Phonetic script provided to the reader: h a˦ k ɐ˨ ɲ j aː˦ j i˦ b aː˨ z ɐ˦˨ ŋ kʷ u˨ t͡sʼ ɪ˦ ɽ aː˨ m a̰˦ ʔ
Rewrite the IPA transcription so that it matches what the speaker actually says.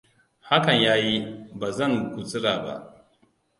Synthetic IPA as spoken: h a˦ k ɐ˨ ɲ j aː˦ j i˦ b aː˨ z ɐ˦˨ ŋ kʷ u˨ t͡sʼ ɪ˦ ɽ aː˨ b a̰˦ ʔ